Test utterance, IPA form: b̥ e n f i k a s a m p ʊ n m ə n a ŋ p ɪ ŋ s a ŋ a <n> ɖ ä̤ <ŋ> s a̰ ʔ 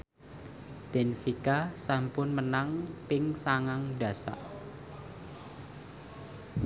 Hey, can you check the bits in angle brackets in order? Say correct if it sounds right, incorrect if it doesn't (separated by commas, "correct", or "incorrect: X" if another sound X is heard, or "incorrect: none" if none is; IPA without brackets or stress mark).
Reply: incorrect: ŋ, incorrect: none